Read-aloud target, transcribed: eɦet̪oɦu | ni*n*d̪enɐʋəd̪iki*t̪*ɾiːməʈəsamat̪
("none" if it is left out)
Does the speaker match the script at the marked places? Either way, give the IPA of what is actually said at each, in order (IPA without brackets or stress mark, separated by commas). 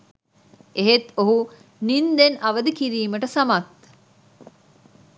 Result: n, none